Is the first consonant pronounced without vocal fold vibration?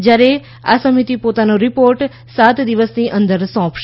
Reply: no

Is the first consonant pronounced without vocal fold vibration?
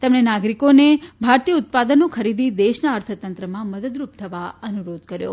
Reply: yes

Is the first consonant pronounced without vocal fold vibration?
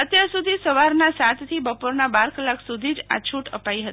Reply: yes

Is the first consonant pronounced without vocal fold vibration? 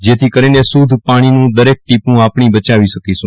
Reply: no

